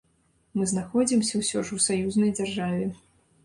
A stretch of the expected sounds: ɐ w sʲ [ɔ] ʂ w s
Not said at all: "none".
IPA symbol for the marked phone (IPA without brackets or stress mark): ɔ